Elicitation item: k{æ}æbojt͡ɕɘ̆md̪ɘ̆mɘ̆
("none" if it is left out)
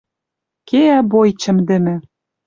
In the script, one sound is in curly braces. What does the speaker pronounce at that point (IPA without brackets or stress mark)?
e